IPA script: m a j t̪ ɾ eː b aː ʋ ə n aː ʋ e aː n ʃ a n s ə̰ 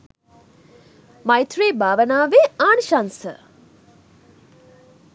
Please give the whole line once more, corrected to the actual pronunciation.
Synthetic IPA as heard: m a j t̪ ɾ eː b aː ʋ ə n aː ʋ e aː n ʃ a n s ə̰